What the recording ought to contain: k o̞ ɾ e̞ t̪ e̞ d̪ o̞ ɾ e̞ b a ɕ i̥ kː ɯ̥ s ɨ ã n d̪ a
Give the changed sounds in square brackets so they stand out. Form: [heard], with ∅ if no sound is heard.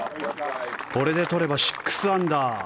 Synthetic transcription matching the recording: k o̞ ɾ e̞ [d̪] e̞ [t̪] o̞ ɾ e̞ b a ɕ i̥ kː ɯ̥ s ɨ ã n d̪ a